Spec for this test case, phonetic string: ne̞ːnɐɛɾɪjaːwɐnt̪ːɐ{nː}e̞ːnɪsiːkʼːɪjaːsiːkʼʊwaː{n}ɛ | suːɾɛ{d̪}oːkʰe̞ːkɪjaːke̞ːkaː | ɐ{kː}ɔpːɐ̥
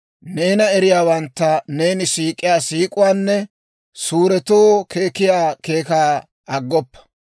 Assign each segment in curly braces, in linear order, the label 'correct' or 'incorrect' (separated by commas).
incorrect, incorrect, incorrect, incorrect